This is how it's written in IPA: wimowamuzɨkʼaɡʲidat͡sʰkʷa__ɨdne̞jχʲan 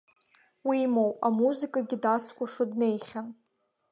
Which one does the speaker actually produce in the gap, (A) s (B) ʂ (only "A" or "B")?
B